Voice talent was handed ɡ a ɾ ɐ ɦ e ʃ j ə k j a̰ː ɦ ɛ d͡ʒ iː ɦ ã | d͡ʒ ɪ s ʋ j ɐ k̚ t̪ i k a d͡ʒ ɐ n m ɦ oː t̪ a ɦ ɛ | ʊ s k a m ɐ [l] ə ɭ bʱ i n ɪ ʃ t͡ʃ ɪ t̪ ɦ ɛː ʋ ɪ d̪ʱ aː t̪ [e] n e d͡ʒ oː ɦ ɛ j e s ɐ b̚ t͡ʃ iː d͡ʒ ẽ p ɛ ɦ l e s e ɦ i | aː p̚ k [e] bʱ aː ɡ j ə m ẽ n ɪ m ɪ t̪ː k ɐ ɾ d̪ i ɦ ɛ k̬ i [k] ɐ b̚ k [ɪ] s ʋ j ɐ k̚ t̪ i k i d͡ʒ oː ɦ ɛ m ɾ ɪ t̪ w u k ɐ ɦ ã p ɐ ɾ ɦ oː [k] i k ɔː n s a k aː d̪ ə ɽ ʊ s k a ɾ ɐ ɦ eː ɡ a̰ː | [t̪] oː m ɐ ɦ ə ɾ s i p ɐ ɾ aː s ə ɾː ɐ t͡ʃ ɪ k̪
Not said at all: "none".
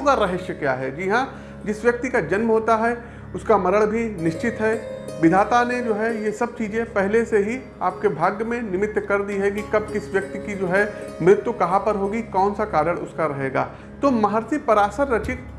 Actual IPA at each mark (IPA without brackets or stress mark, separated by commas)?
ɾ, a, e, k, ɪ, ɡ, t̪